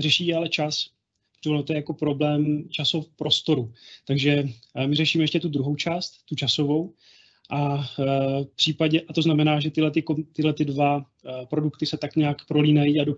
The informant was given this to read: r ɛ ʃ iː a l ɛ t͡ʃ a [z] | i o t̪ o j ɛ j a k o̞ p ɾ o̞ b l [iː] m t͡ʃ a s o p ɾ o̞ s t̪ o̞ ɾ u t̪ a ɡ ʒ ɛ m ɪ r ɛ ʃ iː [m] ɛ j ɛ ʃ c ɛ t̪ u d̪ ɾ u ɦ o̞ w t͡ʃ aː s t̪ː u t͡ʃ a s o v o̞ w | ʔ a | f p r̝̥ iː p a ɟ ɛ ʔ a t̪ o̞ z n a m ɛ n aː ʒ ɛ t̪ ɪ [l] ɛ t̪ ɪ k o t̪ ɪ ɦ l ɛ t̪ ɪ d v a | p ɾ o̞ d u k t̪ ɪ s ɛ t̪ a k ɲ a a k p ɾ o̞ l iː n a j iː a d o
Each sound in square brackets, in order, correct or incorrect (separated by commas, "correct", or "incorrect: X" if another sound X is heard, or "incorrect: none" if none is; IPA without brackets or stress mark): incorrect: s, incorrect: ɛː, correct, correct